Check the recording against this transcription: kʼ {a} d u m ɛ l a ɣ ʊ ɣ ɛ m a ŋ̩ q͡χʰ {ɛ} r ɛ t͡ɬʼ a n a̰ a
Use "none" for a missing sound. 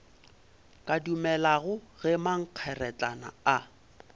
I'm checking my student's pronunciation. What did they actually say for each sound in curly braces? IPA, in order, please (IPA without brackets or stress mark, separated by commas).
a, ɛ